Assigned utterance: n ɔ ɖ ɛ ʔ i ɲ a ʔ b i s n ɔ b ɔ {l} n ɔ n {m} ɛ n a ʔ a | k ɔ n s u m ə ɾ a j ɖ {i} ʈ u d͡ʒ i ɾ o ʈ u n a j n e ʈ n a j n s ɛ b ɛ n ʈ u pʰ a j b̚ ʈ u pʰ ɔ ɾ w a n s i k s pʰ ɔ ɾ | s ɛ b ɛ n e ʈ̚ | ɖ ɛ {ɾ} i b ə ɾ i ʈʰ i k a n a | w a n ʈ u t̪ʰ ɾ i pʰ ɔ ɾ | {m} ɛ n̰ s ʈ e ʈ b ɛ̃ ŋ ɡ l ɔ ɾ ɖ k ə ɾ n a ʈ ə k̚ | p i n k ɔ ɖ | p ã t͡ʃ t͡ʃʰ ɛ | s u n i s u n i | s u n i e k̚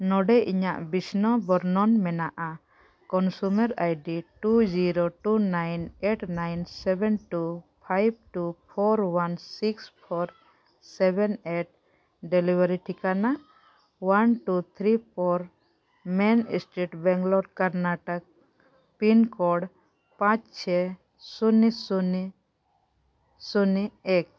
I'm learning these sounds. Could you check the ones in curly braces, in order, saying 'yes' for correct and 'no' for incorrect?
no, yes, yes, no, yes

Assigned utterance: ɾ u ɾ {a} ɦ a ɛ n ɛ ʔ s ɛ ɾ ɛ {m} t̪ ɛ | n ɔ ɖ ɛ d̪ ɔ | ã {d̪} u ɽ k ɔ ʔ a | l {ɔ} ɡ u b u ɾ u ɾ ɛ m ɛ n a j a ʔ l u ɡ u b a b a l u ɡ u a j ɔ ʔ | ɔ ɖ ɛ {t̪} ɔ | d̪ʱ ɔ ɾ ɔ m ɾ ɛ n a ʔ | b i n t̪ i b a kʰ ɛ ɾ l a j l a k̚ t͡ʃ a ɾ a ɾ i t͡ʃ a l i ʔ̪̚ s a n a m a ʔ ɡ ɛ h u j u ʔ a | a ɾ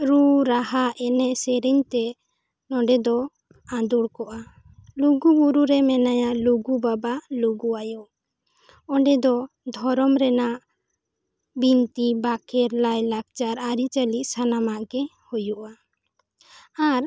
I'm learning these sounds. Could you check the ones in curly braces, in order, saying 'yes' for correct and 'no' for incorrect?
yes, no, yes, no, no

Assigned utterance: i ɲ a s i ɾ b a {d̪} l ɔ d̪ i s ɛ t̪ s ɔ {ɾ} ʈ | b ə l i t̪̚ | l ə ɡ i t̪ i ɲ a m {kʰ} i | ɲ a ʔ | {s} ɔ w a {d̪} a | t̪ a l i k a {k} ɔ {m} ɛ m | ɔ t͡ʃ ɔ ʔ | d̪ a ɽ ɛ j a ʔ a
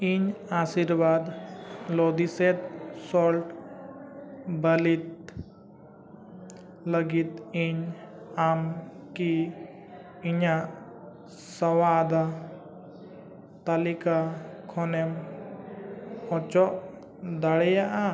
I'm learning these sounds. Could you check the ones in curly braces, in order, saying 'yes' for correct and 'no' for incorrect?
yes, no, no, yes, yes, no, no

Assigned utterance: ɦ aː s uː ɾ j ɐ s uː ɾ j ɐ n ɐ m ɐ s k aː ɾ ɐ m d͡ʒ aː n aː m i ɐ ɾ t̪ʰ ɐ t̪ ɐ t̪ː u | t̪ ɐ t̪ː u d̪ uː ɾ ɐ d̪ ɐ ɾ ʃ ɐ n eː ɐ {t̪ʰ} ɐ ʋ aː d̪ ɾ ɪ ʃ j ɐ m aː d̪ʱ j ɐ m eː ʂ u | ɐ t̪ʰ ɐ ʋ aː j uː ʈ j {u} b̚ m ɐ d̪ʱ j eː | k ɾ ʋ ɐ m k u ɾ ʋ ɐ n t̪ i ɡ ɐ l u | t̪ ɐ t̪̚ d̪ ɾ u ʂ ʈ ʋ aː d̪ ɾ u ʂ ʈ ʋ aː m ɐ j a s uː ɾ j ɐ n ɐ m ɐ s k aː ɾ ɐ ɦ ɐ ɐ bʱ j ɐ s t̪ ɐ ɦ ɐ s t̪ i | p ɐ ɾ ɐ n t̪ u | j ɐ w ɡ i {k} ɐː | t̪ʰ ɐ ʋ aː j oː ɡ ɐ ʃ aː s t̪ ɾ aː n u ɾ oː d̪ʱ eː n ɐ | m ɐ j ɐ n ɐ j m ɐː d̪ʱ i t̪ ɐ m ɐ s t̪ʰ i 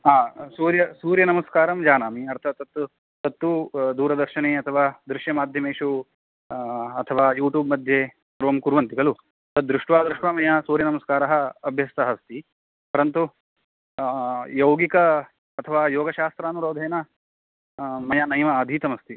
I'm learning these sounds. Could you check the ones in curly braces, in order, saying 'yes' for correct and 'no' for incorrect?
yes, no, yes

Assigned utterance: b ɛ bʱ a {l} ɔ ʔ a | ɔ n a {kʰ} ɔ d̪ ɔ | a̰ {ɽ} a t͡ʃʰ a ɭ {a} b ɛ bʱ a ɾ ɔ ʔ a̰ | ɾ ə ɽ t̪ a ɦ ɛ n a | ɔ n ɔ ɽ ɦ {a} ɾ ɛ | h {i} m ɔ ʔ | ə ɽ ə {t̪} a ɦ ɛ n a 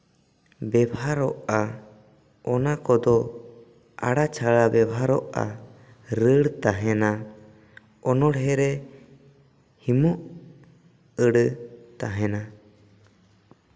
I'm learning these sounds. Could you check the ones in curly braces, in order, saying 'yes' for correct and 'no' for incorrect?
no, no, yes, yes, no, yes, yes

